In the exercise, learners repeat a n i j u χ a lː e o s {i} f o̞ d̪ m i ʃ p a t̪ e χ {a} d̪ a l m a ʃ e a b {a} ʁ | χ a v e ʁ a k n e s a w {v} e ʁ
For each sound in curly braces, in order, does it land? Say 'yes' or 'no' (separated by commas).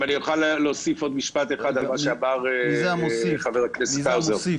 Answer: yes, yes, yes, no